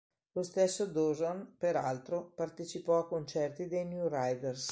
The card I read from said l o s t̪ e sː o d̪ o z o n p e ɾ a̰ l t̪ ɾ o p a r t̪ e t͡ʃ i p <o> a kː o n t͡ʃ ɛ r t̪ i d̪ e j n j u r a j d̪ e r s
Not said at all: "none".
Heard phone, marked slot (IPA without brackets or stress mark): ɔ